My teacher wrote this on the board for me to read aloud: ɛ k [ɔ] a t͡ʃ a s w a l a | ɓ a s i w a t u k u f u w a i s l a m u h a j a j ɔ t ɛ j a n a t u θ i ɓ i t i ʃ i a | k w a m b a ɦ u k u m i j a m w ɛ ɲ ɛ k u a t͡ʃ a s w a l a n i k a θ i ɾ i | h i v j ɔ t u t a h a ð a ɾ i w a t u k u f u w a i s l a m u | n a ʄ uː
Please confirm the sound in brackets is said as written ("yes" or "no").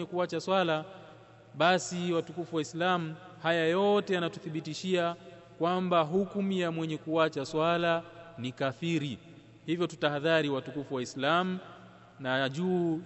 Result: no